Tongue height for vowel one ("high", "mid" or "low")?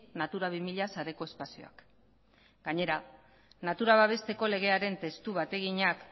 low